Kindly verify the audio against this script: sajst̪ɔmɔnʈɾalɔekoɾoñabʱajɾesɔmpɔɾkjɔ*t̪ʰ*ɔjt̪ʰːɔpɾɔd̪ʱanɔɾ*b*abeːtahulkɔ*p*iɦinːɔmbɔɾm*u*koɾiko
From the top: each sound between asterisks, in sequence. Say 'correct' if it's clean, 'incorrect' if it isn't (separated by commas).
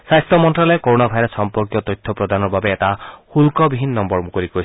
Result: incorrect, correct, incorrect, correct